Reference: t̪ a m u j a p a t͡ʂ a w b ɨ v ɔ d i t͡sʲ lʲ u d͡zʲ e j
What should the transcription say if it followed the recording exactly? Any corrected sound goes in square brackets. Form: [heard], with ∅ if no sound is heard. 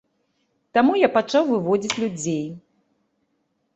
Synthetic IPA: t̪ a m u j a p a t͡ʂ a w [v] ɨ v ɔ [d͡zʲ] i t͡sʲ lʲ u d͡zʲ e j

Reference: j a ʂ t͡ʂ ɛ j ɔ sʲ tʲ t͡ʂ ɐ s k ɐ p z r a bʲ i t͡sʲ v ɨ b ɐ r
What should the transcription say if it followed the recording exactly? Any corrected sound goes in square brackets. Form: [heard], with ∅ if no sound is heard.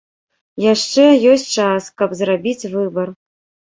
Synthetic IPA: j a ʂ t͡ʂ ɛ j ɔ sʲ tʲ t͡ʂ [a] s k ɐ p z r a bʲ i t͡sʲ v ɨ b ɐ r

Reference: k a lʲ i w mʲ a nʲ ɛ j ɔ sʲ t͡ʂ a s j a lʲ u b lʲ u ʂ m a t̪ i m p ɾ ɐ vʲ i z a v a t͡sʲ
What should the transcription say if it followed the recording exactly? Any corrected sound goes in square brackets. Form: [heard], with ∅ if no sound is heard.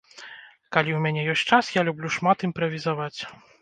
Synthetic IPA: k a lʲ i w mʲ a nʲ ɛ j ɔ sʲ t͡ʂ a s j a lʲ u b lʲ u ʂ m a t̪ i m p ɾ ɐ vʲ i z a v a t͡sʲ

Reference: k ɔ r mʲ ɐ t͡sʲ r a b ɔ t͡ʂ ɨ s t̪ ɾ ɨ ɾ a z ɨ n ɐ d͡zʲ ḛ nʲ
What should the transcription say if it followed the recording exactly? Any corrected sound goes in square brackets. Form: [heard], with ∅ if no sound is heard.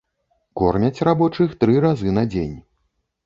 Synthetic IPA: k ɔ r mʲ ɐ t͡sʲ r a b ɔ t͡ʂ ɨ [x] t̪ ɾ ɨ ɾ a z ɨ n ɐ d͡zʲ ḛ nʲ

